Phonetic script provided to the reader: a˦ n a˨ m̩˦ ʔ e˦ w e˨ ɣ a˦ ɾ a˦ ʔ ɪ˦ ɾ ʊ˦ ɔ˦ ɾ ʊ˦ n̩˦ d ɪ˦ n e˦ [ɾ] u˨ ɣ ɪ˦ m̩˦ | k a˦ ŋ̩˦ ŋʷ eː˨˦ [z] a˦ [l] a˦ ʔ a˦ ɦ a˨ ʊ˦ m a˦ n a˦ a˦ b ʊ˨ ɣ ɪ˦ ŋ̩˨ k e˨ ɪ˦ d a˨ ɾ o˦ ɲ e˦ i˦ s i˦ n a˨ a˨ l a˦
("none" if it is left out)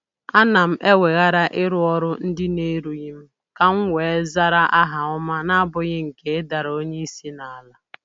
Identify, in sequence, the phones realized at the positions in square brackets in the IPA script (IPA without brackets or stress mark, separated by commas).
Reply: ɾ, z, ɾ